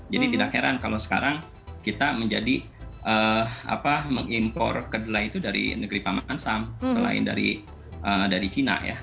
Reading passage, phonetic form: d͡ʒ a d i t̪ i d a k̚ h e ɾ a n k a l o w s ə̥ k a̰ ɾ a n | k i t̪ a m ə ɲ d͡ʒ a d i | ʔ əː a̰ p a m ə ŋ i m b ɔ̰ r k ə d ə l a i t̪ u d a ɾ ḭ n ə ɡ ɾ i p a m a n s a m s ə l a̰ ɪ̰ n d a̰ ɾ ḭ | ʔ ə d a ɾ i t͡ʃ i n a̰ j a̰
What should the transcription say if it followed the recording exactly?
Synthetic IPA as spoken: d͡ʒ a d i t̪ i d a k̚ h e ɾ a n k a l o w s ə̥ k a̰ ɾ a ŋ | k i t̪ a m ə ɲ d͡ʒ a d i | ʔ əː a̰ p a m ə ŋ i m p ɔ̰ r k ə d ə l a i t̪ u d a ɾ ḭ n ə ɡ ɾ i p a m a n s a m s ə l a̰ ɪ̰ n d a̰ ɾ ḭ | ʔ ə d a ɾ i t͡ʃ i n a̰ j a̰